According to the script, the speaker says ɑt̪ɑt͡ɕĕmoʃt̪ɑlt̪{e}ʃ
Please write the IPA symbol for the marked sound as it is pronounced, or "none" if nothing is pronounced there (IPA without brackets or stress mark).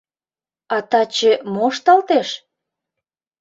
e